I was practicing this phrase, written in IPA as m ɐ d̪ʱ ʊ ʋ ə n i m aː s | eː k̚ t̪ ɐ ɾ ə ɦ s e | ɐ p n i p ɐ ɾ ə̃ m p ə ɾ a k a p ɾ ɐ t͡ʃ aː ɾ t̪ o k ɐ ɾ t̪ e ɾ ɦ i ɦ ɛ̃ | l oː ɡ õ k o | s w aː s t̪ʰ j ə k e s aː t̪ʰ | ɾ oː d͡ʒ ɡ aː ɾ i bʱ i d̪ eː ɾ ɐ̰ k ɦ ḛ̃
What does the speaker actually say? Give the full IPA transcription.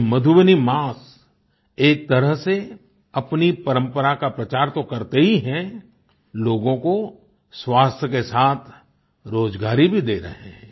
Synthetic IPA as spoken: m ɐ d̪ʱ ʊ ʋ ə n i m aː s | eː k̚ t̪ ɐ ɾ ə ɦ s e | ɐ p n i p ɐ ɾ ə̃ m p ə ɾ a k a p ɾ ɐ t͡ʃ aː ɾ t̪ o k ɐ ɾ t̪ e ɦ i ɦ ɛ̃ | l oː ɡ õ k o | s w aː s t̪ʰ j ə k e s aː t̪ʰ | ɾ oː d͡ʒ ɡ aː ɾ i bʱ i d̪ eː ɾ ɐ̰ ɦ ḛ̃